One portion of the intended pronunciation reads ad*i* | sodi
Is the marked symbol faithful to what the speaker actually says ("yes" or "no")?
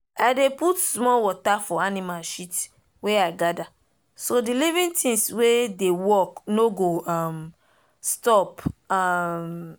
no